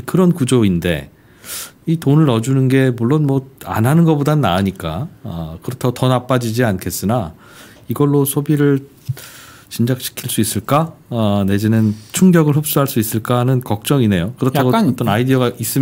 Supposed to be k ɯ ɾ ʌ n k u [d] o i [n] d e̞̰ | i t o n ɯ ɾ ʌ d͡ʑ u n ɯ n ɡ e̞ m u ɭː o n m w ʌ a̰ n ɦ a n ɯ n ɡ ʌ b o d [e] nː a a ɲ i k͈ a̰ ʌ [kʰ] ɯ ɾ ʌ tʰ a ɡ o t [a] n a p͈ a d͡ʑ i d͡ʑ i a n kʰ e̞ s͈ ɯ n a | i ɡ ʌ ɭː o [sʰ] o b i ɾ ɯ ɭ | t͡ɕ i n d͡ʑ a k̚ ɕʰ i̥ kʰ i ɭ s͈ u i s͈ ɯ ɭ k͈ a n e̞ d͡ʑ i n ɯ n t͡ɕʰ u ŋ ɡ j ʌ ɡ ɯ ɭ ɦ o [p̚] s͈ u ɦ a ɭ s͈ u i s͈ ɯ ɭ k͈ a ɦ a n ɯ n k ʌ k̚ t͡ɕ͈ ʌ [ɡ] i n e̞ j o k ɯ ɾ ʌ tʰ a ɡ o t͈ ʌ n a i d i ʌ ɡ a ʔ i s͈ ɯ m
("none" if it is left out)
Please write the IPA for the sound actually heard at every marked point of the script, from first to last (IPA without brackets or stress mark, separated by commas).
d͡ʑ, n, a, k, ʌ, sʰ, p̚, ŋ